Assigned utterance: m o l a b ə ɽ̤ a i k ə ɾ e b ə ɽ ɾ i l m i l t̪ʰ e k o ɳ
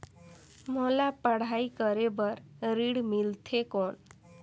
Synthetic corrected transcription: m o l a p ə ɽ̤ a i k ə ɾ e b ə ɾ ɾ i ɽ m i l t̪ʰ e k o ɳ